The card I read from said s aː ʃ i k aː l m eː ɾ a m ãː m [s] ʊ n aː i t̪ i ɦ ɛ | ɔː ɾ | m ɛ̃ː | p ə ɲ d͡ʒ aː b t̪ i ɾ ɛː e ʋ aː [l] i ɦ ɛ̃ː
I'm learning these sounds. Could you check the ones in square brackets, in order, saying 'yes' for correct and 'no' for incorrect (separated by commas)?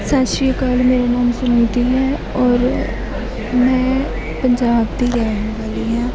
yes, yes